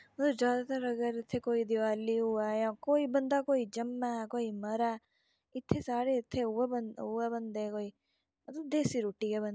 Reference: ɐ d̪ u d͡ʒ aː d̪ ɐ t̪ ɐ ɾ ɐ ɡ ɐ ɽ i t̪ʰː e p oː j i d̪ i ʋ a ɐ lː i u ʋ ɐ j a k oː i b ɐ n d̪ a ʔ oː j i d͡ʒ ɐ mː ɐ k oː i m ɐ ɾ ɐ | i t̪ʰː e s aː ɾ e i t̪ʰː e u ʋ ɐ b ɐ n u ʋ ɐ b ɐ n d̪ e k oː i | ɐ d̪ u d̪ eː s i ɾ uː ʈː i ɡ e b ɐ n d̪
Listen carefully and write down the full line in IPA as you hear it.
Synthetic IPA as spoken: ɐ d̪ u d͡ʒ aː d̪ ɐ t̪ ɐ ɾ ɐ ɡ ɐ ɾ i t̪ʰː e k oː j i d̪ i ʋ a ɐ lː i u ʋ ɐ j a k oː i b ɐ n d̪ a k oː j i d͡ʒ ɐ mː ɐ k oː i m ɐ ɾ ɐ | i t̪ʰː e s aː ɾ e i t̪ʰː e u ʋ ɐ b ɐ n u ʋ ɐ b ɐ n d̪ e k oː i | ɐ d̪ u d̪ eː s i ɾ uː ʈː i ɡ e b ɐ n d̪